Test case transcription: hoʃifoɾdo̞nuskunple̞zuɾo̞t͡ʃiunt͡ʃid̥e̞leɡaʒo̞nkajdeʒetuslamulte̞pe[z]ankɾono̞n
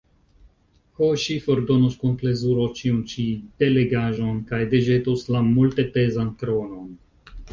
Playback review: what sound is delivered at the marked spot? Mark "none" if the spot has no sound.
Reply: z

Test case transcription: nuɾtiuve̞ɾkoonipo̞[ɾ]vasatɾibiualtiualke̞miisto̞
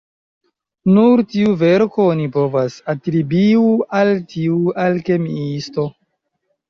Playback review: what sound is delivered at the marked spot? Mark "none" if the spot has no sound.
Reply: none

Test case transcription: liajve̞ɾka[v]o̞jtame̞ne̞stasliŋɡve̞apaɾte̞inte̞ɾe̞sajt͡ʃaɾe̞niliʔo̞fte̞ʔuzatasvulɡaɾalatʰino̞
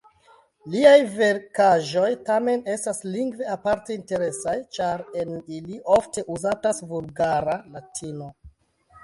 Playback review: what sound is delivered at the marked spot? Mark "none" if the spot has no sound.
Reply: ʒ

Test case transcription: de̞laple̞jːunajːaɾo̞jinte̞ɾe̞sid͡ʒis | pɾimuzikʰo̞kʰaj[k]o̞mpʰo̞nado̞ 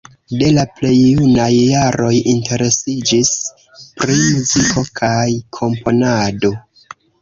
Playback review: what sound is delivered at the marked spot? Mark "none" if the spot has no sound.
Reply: kʰ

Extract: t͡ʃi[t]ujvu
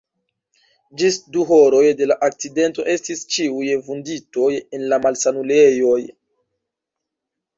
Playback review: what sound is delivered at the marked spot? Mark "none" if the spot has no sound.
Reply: none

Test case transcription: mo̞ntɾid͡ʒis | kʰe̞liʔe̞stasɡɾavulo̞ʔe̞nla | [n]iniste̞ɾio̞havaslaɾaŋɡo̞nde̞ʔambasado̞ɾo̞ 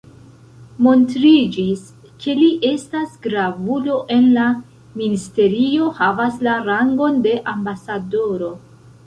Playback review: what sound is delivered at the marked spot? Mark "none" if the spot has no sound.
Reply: m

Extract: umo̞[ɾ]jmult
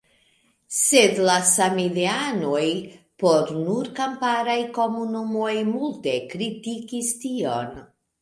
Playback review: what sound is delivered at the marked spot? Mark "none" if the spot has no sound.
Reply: none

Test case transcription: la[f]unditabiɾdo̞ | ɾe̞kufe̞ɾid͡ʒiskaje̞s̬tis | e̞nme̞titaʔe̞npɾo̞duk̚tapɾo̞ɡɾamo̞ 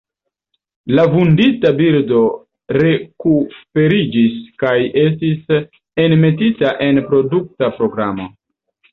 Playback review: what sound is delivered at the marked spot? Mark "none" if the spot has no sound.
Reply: v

